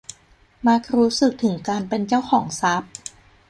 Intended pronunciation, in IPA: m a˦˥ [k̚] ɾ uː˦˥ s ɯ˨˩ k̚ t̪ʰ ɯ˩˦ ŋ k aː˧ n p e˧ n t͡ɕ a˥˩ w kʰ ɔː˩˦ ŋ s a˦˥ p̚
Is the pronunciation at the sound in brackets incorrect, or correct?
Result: correct